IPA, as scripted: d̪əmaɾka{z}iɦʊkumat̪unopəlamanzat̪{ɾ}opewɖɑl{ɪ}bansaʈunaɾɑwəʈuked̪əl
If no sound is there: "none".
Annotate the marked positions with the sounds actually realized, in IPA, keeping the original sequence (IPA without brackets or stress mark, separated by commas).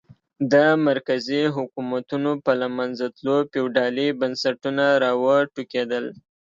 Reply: z, l, i